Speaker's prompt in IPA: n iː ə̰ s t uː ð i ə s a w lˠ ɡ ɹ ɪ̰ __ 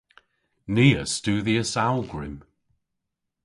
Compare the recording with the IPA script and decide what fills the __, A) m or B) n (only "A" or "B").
A